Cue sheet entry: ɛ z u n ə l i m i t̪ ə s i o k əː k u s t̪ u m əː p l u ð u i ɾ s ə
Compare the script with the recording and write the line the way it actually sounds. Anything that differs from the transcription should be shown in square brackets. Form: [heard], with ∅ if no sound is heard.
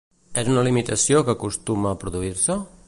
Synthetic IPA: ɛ z u n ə l i m i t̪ ə s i o k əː k u s t̪ u m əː p [ɾ] u ð u i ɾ s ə